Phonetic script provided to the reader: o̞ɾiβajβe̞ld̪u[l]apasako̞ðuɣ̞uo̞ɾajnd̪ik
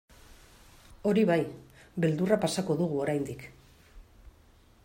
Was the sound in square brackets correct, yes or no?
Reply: no